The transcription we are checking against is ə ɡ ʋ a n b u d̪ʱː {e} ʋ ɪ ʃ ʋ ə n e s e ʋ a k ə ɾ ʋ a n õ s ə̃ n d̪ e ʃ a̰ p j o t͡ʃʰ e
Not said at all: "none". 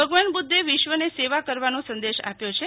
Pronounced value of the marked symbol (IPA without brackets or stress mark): e